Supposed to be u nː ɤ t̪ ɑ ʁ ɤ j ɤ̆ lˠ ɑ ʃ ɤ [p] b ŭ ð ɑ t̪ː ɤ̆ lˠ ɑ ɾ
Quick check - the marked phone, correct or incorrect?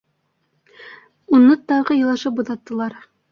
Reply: correct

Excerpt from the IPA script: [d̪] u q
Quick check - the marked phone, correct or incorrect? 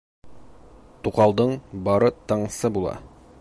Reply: incorrect: t̪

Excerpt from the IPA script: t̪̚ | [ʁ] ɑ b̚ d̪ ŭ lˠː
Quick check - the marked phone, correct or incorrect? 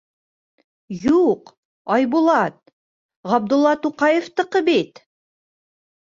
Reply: correct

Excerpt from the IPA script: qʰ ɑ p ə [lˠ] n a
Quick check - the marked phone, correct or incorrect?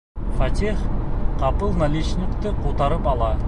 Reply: correct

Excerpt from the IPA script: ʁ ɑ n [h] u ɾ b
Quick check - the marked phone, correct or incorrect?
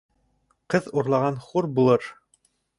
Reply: incorrect: χ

